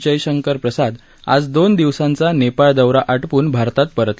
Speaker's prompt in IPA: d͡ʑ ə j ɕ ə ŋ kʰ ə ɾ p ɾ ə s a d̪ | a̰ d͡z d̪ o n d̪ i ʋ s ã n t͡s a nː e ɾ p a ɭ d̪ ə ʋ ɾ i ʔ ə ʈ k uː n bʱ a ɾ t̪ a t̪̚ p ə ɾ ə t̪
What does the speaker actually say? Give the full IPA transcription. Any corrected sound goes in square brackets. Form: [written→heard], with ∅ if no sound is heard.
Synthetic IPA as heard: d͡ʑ ə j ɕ ə ŋ [kʰ→k] ə ɾ p ɾ ə s a d̪ | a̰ d͡z d̪ o n d̪ i ʋ s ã n t͡s a [nː→n] e [ɾ→∅] p a ɭ d̪ ə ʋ ɾ [i→a] ʔ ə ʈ [k→p] uː n bʱ a ɾ t̪ a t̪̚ p ə ɾ ə t̪